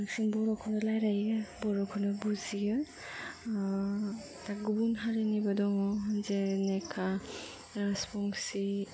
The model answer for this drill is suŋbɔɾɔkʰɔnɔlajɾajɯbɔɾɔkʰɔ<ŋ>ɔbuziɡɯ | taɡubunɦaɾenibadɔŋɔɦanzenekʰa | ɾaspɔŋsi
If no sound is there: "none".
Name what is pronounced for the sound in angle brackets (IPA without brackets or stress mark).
n